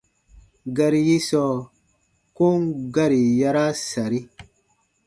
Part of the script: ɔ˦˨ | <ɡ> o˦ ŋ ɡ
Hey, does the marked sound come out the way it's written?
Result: no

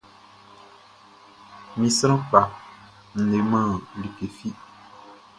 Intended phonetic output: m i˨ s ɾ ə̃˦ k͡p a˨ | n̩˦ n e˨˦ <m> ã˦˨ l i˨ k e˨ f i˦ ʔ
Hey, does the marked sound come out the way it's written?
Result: yes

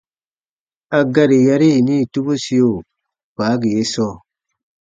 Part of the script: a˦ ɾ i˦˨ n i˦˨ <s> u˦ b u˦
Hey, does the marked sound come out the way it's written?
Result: no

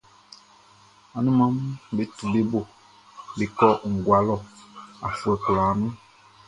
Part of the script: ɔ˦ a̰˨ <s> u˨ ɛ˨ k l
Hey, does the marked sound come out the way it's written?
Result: no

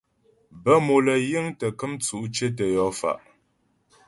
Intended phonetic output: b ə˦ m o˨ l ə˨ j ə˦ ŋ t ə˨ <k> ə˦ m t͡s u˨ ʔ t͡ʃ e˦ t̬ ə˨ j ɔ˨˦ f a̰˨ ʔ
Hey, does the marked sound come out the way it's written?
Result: yes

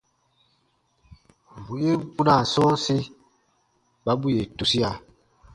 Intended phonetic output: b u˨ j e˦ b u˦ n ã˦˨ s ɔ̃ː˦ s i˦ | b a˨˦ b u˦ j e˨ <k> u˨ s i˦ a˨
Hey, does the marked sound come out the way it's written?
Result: no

